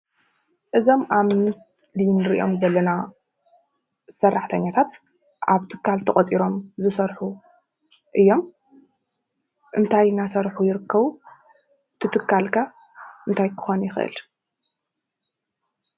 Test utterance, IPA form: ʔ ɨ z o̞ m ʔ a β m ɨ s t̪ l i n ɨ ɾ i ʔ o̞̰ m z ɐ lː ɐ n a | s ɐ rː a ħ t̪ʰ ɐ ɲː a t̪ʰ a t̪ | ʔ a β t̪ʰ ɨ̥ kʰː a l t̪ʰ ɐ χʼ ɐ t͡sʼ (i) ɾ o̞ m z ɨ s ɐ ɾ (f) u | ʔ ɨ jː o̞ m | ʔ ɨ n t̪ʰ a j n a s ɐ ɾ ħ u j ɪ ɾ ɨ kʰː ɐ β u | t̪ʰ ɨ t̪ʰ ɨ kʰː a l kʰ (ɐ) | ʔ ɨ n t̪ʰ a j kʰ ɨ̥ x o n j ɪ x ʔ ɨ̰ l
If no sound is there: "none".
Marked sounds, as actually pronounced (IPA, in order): i, ħ, a

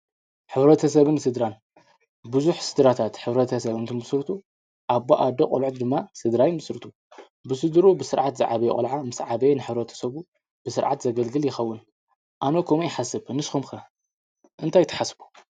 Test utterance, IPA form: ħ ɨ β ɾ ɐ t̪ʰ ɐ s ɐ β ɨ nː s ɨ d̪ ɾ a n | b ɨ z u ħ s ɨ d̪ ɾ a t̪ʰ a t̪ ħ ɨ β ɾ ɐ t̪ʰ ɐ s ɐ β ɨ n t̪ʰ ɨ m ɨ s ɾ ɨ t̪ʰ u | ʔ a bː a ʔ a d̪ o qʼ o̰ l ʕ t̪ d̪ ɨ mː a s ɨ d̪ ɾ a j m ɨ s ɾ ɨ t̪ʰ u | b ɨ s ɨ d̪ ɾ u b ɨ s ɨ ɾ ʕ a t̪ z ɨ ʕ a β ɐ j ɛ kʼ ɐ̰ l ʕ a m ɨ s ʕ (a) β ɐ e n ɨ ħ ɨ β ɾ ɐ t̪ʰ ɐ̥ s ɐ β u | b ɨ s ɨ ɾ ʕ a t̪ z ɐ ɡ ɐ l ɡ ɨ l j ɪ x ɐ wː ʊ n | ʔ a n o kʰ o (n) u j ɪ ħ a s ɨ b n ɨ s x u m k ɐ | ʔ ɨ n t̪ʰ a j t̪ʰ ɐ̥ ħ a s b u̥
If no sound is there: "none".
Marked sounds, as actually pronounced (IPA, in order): a, m

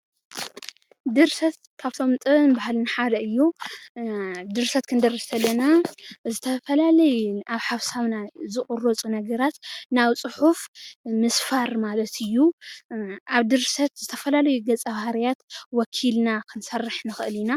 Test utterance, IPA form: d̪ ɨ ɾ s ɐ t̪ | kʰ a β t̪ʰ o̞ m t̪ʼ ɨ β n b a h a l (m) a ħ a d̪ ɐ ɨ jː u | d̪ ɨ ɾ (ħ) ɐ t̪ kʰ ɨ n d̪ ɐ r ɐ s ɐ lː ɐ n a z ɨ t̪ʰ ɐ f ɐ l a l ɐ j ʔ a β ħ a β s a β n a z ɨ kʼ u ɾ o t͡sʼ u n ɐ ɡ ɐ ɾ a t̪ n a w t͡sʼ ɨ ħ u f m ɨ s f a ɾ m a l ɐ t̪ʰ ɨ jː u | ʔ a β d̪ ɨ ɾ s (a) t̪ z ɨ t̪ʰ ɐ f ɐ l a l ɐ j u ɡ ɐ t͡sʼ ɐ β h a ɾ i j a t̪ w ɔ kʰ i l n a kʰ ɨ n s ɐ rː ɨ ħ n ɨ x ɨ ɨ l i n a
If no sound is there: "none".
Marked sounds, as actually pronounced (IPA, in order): n, s, ɐ

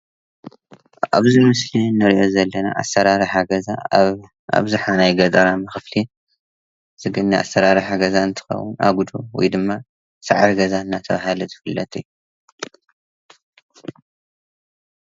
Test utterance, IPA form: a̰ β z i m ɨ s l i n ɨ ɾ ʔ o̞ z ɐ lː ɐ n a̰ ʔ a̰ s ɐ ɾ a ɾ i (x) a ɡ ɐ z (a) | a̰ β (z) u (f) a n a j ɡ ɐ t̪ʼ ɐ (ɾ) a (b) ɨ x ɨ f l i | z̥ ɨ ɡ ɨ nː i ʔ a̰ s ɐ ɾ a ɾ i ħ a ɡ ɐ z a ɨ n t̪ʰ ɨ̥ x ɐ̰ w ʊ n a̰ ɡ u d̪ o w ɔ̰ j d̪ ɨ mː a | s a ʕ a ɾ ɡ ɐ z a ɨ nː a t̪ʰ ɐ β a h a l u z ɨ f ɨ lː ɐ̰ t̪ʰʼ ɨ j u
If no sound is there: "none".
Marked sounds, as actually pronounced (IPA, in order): ħ, a, z, ħ, ɾ, m

